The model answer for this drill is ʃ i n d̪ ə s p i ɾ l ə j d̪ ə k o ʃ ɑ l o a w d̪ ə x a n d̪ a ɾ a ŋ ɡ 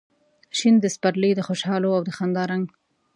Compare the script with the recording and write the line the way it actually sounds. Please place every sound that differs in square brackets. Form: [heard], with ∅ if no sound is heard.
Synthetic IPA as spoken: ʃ i n d̪ ə s p [a] ɾ l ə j d̪ ə [x] o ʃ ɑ l o a w d̪ ə x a n d̪ [ɑ] ɾ a ŋ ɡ